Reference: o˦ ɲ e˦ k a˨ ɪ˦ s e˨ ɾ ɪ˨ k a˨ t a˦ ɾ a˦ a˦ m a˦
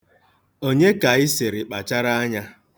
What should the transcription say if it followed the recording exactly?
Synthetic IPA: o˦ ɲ e˦ k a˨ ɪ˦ s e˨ ɾ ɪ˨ k͡p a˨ t͡ʃ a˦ ɾ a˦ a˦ ɲ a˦